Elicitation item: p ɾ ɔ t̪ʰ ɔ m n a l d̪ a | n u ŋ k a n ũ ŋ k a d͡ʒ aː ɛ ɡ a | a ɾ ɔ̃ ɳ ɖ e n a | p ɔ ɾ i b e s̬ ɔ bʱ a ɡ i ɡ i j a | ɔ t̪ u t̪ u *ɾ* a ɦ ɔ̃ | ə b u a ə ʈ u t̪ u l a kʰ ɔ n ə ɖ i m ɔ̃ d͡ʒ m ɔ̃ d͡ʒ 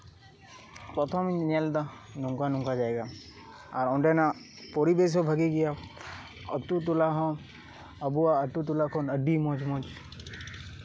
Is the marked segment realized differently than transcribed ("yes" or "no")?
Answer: yes